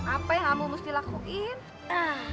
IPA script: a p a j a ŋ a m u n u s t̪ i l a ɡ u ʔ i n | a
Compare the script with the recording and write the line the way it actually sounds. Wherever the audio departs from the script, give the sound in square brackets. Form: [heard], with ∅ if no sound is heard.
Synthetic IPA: a p a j a ŋ a m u [m] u s t̪ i l a [k] u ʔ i n | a